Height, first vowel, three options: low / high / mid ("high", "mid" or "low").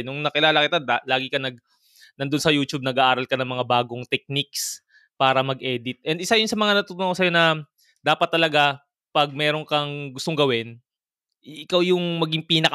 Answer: high